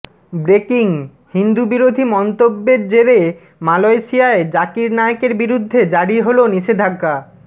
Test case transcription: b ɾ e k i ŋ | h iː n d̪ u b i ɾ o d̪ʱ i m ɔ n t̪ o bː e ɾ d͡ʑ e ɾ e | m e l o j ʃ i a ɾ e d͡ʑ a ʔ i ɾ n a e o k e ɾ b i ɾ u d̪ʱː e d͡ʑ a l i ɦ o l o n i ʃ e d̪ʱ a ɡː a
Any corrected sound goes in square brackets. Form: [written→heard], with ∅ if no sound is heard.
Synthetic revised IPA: b ɾ e k i ŋ | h [iː→i] n d̪ u b i ɾ o d̪ʱ i m ɔ n t̪ o bː e ɾ d͡ʑ e ɾ e | m [e→a] l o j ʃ i a [ɾ→∅] e d͡ʑ a [ʔ→k] i ɾ n a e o k e ɾ b i ɾ u d̪ʱː e d͡ʑ a [l→ɽ] i ɦ o l o n i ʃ e d̪ʱ a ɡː a